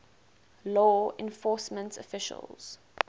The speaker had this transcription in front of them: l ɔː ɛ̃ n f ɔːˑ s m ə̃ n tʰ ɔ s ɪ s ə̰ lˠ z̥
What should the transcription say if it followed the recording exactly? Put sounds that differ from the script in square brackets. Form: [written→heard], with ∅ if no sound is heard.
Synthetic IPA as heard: l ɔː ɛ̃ n f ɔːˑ s m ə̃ n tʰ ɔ [s→f] ɪ [s→ʃ] ə̰ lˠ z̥